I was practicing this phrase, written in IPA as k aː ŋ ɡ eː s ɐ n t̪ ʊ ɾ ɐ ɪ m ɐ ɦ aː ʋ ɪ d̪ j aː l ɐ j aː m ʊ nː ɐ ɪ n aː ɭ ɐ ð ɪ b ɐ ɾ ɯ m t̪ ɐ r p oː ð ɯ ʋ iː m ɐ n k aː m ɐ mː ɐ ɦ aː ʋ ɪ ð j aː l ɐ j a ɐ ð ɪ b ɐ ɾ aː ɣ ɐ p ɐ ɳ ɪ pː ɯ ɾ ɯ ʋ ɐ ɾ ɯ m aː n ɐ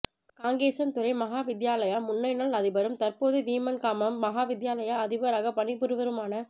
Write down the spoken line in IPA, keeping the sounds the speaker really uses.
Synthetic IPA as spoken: k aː ŋ ɡ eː s ɐ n t̪ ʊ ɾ ɐ ɪ m ɐ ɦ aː ʋ ɪ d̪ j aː l ɐ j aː m ʊ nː ɐ ɪ n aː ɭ ɐ ð ɪ b ɐ ɾ ɯ m t̪ ɐ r p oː ð ɯ ʋ iː m ɐ n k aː m ɐ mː ɐ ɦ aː ʋ ɪ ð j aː l ɐ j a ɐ ð ɪ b ɐ ɾ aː ɣ ɐ p ɐ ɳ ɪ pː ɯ ɾ ɯ ʋ ɐ ɾ ɯ m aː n ɐ